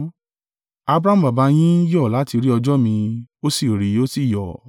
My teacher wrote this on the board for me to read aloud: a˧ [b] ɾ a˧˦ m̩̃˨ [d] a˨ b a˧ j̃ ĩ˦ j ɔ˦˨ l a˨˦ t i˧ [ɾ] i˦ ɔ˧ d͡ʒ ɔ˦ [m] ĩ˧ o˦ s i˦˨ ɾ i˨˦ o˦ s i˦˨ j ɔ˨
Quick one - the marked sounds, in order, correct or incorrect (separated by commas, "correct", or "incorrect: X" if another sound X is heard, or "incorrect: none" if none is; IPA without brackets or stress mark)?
correct, incorrect: b, correct, correct